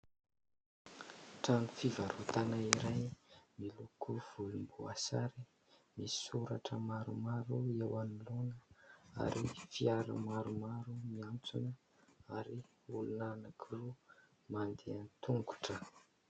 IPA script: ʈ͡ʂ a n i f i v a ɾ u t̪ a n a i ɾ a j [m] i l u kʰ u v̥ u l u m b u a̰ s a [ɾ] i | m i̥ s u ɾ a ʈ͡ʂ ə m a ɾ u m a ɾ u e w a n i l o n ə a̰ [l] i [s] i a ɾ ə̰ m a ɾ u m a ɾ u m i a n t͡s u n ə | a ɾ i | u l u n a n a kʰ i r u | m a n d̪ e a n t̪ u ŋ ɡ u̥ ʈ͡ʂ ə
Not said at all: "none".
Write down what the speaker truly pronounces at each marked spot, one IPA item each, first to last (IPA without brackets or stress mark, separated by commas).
m, ɾ, ɾ, f